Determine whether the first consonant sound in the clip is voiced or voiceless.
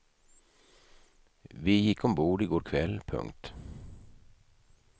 voiced